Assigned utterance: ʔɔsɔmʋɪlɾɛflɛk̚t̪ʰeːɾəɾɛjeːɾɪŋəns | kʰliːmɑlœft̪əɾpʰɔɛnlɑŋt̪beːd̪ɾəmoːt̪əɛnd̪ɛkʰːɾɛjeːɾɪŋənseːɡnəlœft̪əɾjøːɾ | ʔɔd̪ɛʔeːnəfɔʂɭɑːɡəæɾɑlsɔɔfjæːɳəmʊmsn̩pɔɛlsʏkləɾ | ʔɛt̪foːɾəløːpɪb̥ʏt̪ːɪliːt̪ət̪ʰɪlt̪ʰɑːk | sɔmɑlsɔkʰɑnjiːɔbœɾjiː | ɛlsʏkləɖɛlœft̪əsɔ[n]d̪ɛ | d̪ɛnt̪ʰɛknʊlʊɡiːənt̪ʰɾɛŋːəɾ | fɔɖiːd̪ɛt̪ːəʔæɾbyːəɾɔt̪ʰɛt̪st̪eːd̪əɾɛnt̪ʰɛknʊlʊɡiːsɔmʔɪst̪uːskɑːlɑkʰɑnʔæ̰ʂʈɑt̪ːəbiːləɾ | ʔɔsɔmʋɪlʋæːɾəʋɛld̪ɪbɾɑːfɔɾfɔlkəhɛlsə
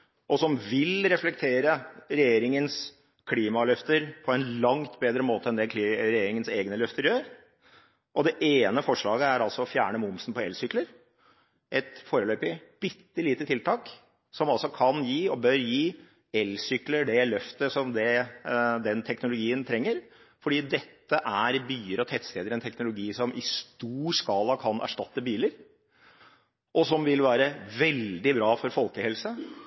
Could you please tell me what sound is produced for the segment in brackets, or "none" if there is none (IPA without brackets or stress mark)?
m